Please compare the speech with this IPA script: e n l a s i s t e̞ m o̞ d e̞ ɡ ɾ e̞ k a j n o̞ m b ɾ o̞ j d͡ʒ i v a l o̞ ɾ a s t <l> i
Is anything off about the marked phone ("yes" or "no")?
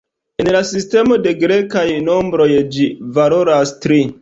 yes